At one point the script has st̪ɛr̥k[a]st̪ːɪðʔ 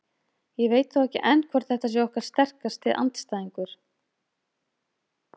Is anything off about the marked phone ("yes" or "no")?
no